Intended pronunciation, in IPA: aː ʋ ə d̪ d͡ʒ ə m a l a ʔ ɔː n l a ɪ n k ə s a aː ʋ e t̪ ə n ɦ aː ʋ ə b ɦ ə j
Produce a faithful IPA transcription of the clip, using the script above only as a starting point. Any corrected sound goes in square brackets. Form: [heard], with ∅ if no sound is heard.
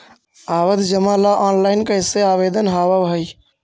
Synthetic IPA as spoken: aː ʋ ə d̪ d͡ʒ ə m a l a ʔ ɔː n l a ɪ n k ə s [e] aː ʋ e [d̪] ə n ɦ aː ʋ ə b ɦ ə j